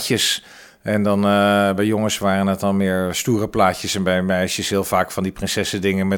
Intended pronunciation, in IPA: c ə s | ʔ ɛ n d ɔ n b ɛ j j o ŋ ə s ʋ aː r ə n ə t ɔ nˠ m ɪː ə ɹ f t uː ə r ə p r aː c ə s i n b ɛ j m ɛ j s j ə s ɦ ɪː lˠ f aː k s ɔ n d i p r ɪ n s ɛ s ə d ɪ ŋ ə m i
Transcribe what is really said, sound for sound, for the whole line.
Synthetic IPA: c ə s | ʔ ɛ n d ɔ n b ɛ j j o ŋ ə s ʋ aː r ə n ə t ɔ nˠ m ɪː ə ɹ s t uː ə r ə p l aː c ə s ɛ n b ɛ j m ɛ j s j ə s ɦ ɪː lˠ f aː k f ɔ n d i p r ɪ n s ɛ s ə d ɪ ŋ ə m ɛ